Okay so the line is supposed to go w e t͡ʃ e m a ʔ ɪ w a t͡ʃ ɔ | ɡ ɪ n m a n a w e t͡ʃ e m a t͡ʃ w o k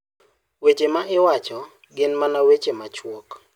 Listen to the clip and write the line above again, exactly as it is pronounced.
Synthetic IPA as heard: w e t͡ʃ e m a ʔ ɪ w a t͡ʃ ɔ | ɡ ɪ n m a n a w e t͡ʃ e m a t͡ʃ w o k